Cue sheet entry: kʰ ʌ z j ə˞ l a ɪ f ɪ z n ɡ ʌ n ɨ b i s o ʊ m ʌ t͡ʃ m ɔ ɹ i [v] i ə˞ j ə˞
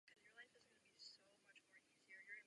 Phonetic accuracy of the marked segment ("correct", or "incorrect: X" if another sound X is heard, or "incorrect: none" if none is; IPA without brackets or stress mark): incorrect: z